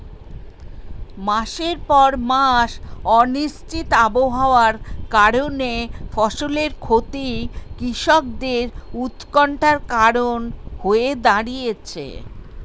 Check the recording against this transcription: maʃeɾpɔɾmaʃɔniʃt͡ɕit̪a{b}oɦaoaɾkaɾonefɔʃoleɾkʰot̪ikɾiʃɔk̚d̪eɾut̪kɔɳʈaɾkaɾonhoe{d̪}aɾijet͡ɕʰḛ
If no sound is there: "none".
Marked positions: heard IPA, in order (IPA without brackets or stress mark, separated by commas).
b, d̪